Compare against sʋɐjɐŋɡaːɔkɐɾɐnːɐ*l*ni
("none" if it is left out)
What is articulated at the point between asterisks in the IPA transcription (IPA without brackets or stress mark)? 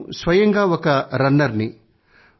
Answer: ɾ